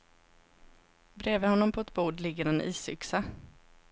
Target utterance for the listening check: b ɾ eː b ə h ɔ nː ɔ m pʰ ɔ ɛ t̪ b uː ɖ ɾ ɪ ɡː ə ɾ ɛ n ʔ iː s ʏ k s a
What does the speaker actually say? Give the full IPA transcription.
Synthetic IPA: b ɾ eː v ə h ɔ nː ɔ m pʰ ɔ ɛ t̪ b uː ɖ l ɪ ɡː ə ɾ ɛ n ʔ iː s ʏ k s a